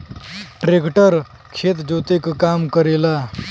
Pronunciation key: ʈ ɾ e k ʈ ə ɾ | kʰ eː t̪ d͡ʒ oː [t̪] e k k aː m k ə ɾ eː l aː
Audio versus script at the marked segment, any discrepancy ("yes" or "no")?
no